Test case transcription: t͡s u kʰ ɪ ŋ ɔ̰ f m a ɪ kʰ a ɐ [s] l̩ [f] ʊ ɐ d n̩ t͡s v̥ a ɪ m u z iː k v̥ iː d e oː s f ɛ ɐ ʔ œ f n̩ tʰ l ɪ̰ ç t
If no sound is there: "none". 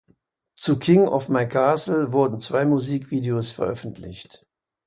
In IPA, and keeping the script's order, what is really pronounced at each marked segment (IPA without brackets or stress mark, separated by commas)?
s, v